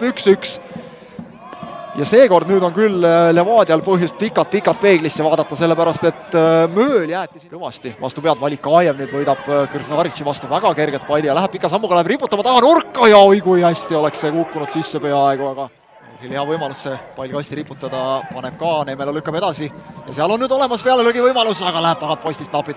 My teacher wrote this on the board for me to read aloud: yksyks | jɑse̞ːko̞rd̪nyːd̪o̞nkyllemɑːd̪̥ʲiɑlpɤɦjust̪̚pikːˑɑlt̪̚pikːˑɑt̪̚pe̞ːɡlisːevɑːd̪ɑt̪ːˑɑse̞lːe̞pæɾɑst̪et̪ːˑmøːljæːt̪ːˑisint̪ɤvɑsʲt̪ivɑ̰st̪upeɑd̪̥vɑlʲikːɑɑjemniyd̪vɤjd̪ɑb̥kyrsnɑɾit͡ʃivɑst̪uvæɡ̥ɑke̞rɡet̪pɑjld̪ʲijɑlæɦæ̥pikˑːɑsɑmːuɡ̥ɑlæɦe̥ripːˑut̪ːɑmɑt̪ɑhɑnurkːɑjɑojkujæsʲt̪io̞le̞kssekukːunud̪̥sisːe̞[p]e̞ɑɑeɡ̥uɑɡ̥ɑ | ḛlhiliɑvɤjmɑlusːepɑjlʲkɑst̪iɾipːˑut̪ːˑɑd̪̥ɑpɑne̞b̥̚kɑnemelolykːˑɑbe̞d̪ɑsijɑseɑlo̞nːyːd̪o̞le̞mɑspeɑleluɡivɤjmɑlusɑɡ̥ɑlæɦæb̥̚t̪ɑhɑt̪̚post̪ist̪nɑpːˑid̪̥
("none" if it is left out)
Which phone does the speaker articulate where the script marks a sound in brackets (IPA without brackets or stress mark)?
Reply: p